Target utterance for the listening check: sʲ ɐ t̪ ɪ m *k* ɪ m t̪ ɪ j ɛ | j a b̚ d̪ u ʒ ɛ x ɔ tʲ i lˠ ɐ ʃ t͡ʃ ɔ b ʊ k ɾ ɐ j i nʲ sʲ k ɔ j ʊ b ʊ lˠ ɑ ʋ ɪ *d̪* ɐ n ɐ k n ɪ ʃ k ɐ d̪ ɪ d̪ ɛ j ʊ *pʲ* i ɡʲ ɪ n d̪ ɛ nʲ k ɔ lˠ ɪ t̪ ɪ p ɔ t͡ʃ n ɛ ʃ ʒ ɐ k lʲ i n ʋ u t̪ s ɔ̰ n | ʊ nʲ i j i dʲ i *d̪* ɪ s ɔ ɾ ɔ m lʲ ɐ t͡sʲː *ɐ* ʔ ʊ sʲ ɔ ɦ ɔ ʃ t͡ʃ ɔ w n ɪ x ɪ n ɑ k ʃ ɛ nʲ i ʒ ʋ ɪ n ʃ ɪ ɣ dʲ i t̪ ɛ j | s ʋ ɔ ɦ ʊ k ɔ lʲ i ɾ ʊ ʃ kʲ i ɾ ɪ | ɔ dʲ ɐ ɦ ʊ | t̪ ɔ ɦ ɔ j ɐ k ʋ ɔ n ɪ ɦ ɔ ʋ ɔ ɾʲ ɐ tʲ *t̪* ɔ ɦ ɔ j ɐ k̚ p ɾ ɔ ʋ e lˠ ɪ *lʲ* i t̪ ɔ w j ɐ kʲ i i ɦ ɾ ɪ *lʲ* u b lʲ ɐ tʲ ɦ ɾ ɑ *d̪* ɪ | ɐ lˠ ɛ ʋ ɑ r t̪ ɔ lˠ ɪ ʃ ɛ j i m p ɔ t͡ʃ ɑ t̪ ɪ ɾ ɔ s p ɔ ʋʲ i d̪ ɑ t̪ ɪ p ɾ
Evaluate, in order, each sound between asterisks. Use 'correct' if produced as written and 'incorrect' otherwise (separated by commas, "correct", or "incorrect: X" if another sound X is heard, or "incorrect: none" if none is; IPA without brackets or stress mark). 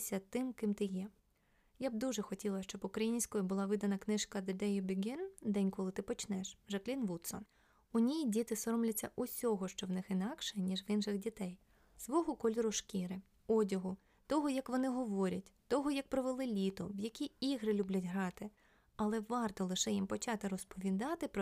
correct, correct, incorrect: bʲ, incorrect: t̪, correct, correct, correct, correct, incorrect: t̪